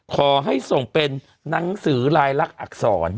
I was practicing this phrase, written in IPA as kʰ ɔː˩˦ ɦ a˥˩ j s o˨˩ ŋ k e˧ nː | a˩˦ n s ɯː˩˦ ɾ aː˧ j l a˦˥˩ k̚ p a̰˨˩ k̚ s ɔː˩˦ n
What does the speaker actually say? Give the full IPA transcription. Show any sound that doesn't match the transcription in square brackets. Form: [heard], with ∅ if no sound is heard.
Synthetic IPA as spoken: kʰ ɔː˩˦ ɦ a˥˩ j s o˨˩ ŋ [p] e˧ nː | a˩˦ [ŋ] s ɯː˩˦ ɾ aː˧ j l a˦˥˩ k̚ [ʔ] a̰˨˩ k̚ s ɔː˩˦ n